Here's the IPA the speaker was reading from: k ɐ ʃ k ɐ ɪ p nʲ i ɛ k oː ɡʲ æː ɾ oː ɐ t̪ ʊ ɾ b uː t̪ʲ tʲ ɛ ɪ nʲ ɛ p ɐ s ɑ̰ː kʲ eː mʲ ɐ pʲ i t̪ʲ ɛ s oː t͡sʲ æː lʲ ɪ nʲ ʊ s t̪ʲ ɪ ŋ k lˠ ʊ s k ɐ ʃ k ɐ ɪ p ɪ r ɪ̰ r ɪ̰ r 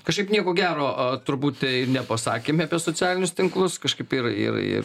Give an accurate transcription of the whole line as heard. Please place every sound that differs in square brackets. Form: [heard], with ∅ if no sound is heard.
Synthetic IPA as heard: k ɐ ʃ k ɐ ɪ p nʲ i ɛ k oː ɡʲ æː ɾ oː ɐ t̪ ʊ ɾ b uː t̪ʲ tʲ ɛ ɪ nʲ ɛ p ɐ s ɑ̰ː kʲ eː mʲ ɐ pʲ i [∅] ɛ s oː t͡sʲ æː lʲ ɪ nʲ ʊ s t̪ʲ ɪ ŋ k lˠ ʊ s k ɐ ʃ k ɐ ɪ p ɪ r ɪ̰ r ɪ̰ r